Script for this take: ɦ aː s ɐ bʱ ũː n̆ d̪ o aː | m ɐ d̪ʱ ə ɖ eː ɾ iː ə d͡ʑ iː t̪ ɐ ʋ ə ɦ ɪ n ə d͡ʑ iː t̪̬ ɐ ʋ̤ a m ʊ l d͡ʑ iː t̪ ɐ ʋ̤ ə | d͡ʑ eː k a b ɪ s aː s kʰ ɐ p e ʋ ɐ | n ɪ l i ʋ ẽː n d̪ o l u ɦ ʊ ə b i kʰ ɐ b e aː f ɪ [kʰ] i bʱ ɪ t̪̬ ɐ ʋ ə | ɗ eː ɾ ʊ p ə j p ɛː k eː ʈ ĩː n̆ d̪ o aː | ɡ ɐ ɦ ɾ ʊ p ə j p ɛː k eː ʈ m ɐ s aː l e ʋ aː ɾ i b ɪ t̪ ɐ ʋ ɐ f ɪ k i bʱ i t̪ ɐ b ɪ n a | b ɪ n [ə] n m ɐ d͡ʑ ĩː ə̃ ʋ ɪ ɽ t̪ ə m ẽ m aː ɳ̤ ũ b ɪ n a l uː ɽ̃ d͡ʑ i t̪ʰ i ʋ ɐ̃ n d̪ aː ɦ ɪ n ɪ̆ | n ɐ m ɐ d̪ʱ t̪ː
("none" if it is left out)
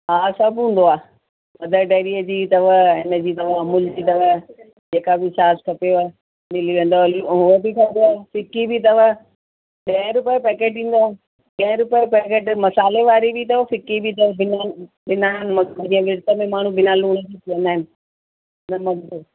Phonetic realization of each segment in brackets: k, a

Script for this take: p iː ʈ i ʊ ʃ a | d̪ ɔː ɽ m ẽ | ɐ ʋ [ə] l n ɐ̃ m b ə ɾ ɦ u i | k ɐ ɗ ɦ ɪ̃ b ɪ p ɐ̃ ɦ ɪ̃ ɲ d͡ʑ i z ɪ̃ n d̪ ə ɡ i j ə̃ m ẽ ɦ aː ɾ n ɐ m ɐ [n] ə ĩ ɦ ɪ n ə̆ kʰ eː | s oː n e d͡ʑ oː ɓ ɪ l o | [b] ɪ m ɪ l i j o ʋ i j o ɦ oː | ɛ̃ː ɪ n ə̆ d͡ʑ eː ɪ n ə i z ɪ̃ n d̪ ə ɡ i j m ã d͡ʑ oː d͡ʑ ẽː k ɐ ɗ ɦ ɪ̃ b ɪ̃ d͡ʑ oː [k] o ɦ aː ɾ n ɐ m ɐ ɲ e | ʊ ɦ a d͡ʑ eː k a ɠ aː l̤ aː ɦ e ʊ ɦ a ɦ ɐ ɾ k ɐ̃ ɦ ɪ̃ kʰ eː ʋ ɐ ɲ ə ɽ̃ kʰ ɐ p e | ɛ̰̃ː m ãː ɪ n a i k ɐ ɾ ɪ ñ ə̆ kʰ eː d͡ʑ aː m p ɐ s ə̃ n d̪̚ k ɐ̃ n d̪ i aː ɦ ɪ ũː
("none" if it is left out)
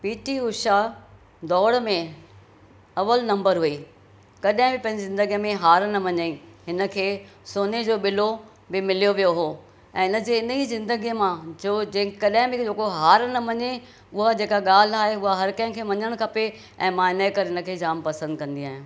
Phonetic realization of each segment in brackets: ə, ɲ, b, k

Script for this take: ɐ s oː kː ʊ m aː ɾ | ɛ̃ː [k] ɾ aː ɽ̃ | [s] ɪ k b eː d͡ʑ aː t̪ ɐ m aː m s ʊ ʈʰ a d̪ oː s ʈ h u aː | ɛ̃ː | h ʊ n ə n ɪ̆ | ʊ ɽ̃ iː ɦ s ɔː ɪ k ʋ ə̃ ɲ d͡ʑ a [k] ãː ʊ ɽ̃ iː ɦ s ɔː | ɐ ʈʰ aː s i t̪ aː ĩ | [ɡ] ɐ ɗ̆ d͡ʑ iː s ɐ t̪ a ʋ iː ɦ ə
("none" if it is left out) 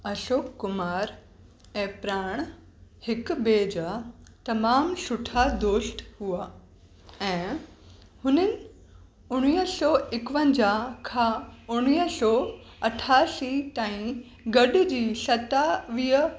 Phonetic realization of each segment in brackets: p, h, kʰ, ɡ

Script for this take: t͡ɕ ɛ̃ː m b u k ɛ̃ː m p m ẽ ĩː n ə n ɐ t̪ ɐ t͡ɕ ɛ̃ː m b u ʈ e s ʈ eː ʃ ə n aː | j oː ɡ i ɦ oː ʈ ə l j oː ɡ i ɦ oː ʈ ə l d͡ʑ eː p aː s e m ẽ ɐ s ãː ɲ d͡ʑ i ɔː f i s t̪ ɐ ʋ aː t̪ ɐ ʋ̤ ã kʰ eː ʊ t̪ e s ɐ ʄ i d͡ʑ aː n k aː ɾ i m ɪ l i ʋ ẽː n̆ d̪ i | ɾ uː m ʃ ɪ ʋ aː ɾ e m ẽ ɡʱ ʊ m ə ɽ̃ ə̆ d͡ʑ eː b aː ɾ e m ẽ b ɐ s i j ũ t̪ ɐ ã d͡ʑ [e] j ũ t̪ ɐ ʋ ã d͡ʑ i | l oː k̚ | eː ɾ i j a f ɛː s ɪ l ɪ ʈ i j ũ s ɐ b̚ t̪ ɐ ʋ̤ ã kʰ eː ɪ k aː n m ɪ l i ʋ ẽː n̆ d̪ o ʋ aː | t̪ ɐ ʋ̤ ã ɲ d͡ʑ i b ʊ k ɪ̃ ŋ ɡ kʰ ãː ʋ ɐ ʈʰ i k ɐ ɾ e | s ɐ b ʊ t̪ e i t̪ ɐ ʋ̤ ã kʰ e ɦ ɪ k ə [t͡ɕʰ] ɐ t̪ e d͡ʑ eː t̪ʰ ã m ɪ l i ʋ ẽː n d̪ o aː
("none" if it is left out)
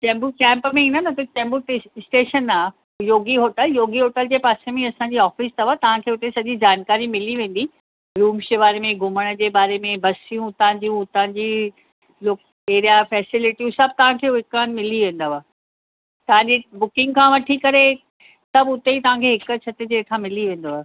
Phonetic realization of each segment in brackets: i, t͡ɕʰ

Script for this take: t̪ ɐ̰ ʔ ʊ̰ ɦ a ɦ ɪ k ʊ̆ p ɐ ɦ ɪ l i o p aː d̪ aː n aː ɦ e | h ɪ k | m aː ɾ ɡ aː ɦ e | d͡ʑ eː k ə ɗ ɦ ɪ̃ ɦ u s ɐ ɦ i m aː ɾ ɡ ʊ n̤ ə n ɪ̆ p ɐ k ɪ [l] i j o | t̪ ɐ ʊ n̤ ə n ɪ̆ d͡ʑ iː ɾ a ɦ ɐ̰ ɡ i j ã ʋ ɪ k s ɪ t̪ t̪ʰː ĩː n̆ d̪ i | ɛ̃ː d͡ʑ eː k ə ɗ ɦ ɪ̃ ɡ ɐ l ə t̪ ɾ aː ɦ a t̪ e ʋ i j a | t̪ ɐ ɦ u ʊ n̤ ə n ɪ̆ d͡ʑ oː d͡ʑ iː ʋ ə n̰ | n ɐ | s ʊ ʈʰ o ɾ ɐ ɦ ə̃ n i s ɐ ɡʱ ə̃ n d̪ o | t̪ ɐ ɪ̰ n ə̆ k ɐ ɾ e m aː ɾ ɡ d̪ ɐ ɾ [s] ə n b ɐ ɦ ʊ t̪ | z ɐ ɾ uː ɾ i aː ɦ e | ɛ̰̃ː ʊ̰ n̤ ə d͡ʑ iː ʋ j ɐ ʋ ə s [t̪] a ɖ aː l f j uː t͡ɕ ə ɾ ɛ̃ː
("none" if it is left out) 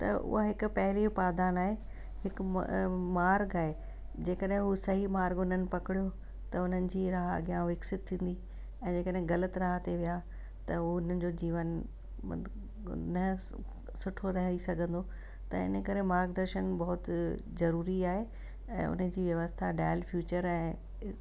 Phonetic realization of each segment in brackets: ɽ, ʃ, t̪ʰ

